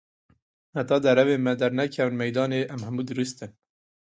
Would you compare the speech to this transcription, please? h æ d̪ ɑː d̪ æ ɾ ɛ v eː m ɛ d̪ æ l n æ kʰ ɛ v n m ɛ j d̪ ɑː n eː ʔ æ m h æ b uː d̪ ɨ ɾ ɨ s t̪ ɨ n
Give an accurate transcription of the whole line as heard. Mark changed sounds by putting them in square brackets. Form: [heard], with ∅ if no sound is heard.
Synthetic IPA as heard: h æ [t̪] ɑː d̪ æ ɾ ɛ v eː m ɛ d̪ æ [ɾ] n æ kʰ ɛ v n m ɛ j d̪ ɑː n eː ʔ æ m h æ [m] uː d̪ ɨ ɾ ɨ s t̪ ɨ n